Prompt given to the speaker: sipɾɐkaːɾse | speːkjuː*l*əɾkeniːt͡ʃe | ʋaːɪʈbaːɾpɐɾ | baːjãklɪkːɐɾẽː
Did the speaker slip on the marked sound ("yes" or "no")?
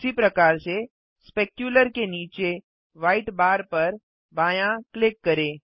no